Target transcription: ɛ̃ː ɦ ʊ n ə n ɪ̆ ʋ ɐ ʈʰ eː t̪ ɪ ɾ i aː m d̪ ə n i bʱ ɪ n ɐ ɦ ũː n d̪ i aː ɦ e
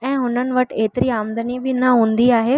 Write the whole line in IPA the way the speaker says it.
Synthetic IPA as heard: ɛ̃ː ɦ ʊ n ə n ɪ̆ ʋ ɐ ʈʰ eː t̪ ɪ ɾ i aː m d̪ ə n i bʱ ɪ n ɐ ɦ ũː n d̪ i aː ɦ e